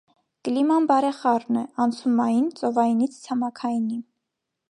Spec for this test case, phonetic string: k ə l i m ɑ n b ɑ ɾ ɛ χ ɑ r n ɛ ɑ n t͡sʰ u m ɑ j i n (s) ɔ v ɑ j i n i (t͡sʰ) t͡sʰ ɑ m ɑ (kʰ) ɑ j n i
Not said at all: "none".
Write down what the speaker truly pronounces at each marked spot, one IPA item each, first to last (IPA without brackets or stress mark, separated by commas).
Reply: t͡s, t͡sʰ, kʰ